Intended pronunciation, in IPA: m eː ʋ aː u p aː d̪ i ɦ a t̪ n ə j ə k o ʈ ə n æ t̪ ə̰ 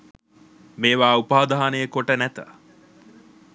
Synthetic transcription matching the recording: m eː ʋ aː u p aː d̪ a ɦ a n ə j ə k o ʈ ə n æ t̪ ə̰